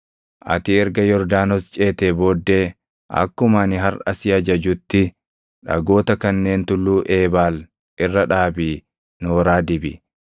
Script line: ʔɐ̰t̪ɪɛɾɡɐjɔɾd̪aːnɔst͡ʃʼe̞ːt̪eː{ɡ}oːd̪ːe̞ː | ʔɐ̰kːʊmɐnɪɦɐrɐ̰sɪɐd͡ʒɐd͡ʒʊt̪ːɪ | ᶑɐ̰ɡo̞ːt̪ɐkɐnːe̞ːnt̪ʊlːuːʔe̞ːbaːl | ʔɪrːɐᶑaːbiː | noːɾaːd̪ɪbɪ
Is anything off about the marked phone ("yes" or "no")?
yes